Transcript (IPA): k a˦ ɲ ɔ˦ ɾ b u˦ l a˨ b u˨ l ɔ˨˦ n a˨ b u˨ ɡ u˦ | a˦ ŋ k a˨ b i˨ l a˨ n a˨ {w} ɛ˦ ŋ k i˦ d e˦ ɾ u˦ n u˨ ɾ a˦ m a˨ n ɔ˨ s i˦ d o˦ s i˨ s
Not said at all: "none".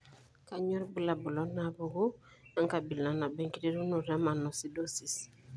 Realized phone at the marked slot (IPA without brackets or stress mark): b